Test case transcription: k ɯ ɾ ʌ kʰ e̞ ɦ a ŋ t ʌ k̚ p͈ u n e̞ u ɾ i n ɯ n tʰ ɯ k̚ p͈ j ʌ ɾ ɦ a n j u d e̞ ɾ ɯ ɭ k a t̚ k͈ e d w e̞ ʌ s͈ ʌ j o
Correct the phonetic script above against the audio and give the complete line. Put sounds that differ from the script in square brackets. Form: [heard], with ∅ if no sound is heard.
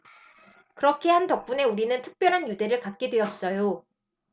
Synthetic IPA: k ɯ ɾ ʌ kʰ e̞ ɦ a [n] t ʌ k̚ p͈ u n e̞ u ɾ i n ɯ n tʰ ɯ k̚ p͈ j ʌ ɾ ɦ a n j u d e̞ ɾ ɯ ɭ k a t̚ k͈ e d w e̞ ʌ s͈ ʌ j o